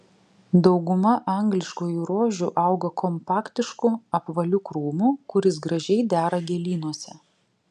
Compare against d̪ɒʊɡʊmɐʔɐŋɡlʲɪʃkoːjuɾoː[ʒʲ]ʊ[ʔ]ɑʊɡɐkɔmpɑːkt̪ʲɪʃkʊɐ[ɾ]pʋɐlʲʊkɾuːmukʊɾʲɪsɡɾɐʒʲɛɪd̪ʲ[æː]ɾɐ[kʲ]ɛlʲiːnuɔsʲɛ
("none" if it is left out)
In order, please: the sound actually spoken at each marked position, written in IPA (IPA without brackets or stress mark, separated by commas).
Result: ʒʲ, ʔ, none, æː, ɡʲ